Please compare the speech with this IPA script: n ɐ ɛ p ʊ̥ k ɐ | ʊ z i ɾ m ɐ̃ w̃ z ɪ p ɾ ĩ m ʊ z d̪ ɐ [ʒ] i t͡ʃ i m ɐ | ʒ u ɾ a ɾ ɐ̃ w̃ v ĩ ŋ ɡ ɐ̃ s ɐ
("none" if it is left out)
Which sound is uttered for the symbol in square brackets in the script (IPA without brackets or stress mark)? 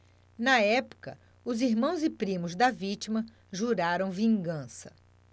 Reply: v